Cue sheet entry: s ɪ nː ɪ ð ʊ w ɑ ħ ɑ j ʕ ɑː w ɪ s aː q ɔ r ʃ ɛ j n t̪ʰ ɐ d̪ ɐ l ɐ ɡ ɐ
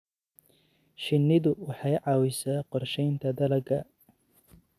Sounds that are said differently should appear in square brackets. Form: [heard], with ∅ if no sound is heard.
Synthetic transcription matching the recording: [ʃ] ɪ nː ɪ ð ʊ w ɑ ħ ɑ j ʕ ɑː w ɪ s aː q ɔ r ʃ ɛ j n t̪ʰ ɐ d̪ ɐ l ɐ ɡ ɐ